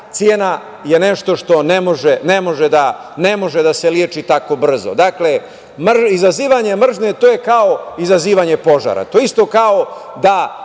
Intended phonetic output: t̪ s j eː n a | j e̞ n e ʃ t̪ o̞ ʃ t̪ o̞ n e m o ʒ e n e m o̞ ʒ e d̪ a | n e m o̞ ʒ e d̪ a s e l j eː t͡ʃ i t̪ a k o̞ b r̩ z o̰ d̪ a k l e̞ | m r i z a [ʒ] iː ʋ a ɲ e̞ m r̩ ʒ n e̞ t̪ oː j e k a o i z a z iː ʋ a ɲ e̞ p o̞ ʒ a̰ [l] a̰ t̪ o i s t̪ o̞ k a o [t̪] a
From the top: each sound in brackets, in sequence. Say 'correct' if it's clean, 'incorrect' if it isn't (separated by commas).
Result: incorrect, incorrect, incorrect